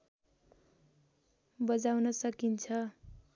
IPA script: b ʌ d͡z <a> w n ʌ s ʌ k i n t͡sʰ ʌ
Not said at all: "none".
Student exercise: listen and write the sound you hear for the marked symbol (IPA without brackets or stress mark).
a